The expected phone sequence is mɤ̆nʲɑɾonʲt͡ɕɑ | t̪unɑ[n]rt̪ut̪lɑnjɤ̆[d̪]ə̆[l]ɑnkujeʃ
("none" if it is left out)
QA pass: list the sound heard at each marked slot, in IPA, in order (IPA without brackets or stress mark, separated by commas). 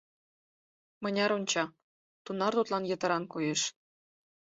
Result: none, t̪, ɾ